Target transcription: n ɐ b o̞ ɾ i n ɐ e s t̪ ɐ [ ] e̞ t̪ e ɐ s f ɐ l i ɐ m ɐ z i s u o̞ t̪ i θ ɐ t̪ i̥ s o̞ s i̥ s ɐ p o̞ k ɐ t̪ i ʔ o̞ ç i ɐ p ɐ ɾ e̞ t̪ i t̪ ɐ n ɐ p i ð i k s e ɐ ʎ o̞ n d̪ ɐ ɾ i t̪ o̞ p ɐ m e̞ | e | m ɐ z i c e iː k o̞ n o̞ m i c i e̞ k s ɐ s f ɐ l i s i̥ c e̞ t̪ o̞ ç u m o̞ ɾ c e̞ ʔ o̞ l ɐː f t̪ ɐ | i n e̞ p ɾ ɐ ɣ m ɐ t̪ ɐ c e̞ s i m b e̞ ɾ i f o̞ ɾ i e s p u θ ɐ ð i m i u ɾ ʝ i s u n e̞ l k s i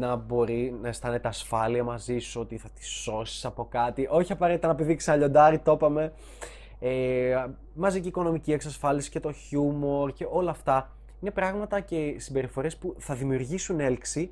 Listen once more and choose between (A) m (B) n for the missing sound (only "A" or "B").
B